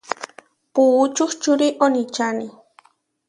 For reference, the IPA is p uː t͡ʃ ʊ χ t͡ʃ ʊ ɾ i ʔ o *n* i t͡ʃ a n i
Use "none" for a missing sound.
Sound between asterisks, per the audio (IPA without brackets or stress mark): n